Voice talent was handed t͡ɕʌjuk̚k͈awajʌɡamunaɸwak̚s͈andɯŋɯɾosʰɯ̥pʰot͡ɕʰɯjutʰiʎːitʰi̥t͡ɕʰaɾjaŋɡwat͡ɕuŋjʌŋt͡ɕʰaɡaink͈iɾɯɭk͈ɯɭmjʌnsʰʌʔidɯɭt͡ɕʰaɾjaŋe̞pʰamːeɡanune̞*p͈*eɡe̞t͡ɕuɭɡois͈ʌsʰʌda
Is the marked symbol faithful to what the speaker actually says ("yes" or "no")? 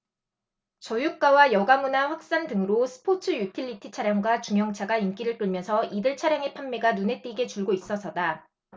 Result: no